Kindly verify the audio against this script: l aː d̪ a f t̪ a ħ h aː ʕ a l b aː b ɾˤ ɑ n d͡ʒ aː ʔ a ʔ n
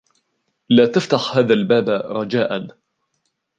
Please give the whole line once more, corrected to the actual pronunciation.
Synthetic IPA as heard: l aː t̪ a f t̪ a ħ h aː ð a l b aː b ɾˤ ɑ d͡ʒ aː ʔ a n